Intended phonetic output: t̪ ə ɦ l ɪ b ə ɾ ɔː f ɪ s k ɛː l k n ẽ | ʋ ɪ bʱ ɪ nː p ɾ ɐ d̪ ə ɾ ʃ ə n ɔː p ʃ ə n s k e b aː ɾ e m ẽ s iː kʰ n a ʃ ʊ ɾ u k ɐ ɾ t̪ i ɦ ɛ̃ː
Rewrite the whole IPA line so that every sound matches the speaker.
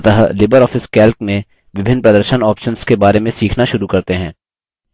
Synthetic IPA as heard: t̪ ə ɦ l ɪ b ə ɾ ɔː f ɪ s k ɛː l k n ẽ | ʋ ɪ bʱ ɪ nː p ɾ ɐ d̪ ə ɾ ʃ ə n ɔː p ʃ ə n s k e b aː ɾ e m ẽ s iː kʰ n a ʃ ʊ ɾ u k ɐ ɾ t̪ e ɦ ɛ̃ː

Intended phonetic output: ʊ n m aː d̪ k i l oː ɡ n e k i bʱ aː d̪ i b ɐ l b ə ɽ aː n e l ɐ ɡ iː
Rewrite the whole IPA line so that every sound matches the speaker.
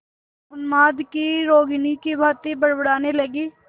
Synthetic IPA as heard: ʊ n m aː d̪ k i ɾ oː ɡ n i k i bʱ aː t̪ i b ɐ ɽ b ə ɽ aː n e l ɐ ɡ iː

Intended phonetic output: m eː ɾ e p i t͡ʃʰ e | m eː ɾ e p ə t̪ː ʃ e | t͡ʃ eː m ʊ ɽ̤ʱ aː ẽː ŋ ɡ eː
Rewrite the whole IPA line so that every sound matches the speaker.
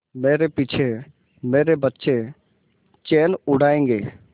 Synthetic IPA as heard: m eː ɾ e p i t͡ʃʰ e | m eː ɾ e b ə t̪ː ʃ e | t͡ʃ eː n ʊ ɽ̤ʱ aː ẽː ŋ ɡ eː

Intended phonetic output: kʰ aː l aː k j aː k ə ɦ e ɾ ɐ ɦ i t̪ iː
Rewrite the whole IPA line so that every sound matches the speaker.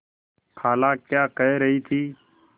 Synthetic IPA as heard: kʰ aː l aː k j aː k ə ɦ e ɾ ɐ ɦ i t̪ʰ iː

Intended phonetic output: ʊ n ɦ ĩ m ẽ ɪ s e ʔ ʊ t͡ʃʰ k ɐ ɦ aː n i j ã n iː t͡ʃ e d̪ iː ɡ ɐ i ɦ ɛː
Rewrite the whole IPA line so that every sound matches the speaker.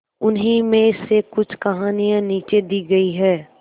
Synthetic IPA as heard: ʊ n ɦ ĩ m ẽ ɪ s e k ʊ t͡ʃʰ k ɐ ɦ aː n i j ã n iː t͡ʃ e d̪ iː ɡ ɐ i ɦ ɛː

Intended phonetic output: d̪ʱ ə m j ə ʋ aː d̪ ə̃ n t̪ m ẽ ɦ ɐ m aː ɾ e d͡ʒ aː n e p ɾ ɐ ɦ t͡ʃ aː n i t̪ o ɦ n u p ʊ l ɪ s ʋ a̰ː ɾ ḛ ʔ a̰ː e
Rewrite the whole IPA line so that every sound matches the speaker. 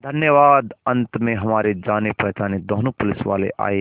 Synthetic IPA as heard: d̪ʱ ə n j ə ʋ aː d̪ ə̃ n t̪ m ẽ ɦ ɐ m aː ɾ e d͡ʒ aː n e p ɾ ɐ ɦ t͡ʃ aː n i d̪ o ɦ n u p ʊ l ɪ s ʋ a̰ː l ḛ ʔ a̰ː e

